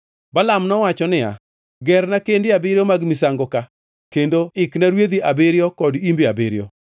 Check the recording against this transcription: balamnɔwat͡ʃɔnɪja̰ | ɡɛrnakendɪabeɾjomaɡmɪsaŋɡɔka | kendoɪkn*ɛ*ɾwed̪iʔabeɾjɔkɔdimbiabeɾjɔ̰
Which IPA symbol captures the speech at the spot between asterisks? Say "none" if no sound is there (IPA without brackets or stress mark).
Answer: a